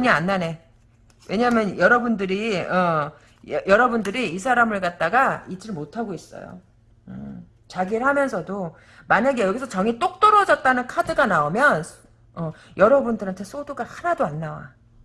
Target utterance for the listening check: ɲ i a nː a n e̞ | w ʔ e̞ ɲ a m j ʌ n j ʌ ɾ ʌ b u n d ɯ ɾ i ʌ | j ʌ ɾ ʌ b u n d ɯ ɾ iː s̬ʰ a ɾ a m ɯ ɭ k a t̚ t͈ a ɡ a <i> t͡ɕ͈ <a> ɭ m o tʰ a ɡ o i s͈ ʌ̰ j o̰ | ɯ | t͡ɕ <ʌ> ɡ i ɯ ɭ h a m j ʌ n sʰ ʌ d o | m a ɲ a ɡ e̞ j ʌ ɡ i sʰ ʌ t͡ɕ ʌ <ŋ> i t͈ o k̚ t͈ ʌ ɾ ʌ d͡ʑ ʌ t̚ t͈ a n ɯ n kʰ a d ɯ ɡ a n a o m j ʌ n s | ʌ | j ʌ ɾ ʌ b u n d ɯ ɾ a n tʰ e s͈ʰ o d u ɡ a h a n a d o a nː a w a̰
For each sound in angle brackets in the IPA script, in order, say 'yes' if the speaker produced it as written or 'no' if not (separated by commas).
yes, no, no, yes